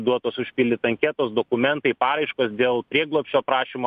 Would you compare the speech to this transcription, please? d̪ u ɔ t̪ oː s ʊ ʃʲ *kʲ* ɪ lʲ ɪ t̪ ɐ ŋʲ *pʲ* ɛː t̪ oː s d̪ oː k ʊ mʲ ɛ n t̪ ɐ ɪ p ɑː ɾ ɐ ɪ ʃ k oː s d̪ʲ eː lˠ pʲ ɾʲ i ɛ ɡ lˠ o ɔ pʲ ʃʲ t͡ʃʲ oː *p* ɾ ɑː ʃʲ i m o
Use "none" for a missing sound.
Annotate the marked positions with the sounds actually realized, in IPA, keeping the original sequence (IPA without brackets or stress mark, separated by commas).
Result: pʲ, kʲ, p